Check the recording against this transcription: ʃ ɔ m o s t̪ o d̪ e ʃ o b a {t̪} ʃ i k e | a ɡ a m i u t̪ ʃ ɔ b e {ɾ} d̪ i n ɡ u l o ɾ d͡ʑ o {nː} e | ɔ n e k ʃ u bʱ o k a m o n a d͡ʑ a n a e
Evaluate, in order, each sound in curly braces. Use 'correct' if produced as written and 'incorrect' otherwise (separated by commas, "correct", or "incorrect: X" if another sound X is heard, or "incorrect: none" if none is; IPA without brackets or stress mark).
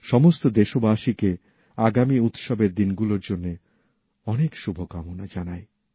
incorrect: none, correct, correct